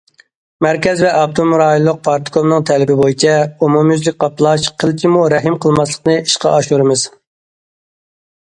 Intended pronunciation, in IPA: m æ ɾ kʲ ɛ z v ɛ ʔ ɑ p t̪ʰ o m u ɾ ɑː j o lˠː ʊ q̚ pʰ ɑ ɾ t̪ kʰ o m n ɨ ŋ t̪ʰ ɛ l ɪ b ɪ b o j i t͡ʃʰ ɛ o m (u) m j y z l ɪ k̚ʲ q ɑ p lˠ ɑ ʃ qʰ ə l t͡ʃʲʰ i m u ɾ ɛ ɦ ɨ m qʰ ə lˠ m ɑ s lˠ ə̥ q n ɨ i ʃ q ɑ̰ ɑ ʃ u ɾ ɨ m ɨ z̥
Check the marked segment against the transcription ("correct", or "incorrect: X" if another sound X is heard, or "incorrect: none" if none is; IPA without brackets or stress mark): correct